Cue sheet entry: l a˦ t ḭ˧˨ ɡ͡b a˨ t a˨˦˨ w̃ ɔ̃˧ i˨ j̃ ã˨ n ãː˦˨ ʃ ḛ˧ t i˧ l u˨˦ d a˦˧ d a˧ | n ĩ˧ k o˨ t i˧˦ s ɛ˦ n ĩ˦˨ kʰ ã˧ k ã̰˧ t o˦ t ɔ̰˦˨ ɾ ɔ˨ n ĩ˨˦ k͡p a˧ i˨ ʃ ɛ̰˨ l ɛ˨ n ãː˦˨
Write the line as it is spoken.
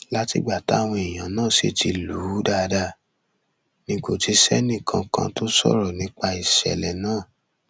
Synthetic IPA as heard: l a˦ t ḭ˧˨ ɡ͡b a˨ t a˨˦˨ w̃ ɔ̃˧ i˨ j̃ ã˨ n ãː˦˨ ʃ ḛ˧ t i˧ l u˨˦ d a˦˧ d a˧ | n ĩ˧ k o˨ t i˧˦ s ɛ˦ n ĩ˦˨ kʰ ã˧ k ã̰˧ t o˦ s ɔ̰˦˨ ɾ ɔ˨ n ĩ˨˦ k͡p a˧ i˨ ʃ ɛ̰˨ l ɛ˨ n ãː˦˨